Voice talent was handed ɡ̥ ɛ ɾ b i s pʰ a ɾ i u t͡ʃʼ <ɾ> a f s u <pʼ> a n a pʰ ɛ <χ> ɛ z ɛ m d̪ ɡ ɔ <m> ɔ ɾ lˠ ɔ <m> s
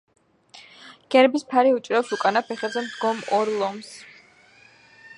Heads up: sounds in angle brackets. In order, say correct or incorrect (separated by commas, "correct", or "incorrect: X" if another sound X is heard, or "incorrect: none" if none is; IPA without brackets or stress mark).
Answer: correct, incorrect: kʼ, correct, correct, correct